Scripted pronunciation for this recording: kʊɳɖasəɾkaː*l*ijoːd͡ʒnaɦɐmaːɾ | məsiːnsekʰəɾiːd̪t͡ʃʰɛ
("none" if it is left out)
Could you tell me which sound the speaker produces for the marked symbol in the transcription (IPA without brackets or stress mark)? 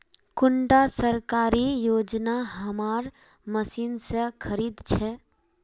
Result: ɾ